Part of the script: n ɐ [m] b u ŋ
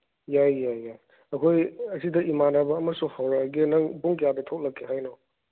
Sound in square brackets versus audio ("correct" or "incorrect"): incorrect